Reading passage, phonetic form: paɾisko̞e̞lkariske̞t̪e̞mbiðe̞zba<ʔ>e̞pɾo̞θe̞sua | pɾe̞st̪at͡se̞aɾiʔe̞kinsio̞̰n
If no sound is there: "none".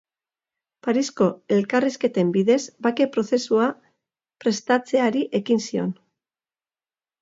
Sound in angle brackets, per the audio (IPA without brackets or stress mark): k